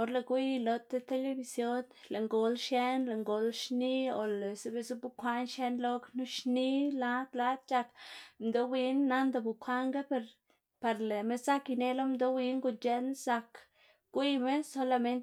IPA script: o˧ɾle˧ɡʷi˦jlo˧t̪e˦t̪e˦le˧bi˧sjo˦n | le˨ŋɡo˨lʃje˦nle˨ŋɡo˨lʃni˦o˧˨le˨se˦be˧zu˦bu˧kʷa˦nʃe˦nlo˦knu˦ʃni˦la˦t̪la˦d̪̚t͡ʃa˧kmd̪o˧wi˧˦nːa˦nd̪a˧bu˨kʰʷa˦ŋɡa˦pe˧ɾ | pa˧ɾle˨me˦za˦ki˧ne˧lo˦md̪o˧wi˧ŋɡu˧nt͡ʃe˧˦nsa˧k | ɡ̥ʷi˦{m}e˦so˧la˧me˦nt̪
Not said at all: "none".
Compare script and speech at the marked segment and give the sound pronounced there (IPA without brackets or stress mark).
m